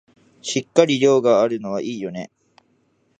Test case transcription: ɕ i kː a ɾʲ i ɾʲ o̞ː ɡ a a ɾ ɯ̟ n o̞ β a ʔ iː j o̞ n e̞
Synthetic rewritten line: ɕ i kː a ɾʲ i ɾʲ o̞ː ɡ a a ɾ ɯ̟ n o̞ β a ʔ iː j o̞ n e̞